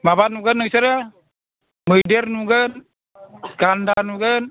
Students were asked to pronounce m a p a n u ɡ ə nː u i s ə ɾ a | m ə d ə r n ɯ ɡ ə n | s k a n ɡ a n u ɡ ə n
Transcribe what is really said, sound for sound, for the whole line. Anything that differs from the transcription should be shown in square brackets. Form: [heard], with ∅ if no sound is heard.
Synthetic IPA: m a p a n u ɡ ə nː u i s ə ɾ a | m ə d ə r n [u] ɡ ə n | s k a n [d] a n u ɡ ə n